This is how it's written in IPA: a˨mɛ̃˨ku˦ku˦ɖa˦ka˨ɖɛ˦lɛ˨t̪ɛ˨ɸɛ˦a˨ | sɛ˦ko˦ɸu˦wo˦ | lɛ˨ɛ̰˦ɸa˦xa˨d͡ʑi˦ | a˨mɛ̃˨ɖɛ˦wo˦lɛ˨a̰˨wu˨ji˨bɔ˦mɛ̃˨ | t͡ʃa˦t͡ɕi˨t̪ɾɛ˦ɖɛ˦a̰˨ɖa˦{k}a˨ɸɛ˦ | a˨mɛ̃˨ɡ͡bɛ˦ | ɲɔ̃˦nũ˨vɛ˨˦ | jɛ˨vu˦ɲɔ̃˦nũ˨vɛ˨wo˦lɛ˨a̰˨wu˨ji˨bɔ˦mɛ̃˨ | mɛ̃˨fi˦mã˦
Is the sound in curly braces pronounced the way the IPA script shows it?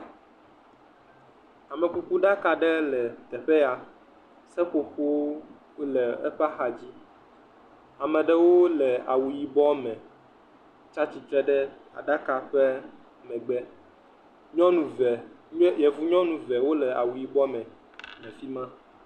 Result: yes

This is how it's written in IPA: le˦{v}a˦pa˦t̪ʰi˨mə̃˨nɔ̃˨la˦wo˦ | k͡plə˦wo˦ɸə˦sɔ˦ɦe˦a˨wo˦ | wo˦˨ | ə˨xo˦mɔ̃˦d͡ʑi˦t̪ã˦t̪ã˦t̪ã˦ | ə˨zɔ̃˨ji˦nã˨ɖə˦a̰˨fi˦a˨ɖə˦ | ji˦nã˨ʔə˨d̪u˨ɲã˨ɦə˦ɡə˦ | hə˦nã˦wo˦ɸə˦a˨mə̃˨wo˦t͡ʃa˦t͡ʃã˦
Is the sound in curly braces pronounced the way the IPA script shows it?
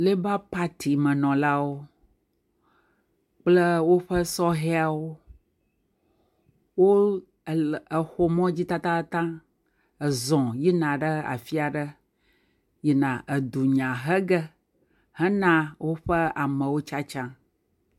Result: no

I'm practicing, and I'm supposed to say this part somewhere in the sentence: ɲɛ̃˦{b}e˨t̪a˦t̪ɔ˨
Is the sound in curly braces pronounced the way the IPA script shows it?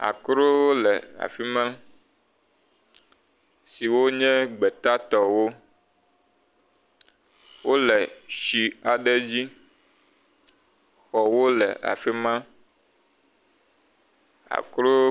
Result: no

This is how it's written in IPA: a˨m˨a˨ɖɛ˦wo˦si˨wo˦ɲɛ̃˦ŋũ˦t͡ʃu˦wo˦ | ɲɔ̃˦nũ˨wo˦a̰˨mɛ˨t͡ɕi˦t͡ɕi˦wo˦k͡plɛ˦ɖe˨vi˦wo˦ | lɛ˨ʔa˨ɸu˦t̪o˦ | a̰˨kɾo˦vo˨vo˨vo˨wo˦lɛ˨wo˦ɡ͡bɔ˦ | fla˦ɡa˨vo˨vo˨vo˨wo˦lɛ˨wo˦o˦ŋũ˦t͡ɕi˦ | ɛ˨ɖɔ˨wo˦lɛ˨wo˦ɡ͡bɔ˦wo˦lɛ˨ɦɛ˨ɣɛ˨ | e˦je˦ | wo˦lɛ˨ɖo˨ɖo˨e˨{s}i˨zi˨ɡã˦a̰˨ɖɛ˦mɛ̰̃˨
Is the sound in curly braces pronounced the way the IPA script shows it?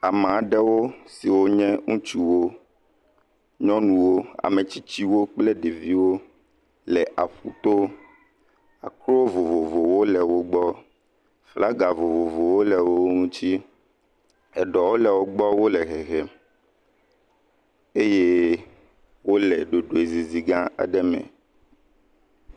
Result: no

